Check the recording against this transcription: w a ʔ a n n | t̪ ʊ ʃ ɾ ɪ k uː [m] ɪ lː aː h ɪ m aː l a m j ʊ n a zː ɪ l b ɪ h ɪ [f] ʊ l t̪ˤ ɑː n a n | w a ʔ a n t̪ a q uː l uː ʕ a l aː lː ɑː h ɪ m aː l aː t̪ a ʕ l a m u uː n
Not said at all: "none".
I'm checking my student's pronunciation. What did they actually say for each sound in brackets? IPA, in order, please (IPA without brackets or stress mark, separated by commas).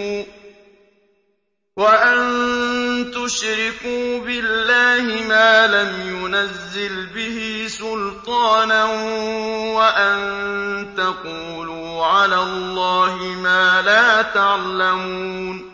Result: b, s